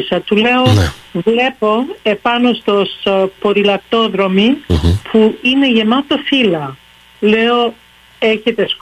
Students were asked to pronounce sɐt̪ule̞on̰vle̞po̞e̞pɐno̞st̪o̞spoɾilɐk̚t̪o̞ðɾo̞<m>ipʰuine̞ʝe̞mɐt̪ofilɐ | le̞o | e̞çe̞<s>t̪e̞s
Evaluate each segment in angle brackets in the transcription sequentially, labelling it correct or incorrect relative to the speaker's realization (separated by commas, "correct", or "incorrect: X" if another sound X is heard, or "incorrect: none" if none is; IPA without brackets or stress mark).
correct, incorrect: none